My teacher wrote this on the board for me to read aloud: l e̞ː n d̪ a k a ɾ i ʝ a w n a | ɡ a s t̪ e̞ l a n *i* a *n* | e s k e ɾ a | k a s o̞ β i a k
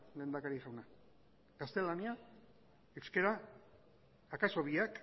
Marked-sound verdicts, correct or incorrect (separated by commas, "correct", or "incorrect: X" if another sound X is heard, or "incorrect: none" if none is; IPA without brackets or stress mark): correct, incorrect: none